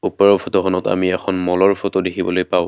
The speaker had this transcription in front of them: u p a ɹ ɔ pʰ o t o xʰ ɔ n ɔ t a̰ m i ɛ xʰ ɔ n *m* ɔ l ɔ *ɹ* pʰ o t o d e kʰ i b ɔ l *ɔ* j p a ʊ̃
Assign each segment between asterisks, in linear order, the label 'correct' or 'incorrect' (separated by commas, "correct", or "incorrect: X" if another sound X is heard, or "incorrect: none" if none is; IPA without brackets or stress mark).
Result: correct, correct, incorrect: o